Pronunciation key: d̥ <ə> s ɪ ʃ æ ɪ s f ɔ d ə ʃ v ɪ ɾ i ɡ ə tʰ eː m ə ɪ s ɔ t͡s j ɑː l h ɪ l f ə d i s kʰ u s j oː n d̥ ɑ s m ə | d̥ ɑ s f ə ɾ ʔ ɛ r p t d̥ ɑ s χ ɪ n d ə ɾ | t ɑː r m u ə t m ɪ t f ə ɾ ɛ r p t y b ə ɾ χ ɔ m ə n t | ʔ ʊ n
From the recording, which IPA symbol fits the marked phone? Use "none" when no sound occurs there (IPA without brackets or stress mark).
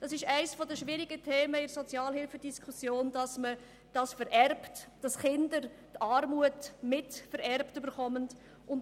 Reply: ɑ